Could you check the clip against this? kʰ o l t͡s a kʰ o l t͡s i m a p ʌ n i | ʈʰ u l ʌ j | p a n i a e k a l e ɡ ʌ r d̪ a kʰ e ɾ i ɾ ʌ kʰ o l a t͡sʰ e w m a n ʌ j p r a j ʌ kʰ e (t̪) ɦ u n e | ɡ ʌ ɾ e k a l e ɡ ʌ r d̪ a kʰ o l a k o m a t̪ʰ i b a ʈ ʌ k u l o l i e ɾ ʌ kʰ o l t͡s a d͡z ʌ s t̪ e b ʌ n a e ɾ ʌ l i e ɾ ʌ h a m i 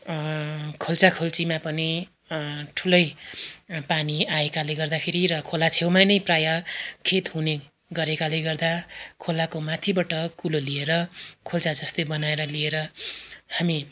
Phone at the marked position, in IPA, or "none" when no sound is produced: t̪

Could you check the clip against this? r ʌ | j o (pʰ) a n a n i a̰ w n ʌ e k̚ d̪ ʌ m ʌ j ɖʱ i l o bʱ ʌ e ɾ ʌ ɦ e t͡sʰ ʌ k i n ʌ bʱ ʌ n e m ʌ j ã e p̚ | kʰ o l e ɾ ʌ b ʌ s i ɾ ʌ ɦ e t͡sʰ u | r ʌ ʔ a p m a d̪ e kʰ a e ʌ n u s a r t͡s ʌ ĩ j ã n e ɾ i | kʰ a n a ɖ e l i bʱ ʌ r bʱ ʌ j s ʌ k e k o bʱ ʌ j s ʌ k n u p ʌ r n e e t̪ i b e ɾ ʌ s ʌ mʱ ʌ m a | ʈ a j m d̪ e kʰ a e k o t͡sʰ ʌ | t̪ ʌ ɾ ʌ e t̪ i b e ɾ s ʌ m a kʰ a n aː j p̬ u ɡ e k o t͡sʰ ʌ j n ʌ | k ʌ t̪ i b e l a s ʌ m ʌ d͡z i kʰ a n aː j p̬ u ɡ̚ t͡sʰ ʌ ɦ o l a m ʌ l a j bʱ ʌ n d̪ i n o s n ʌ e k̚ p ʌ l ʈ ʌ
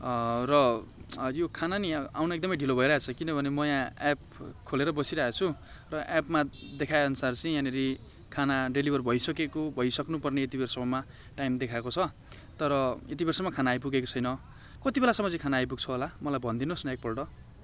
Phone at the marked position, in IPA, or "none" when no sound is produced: kʰ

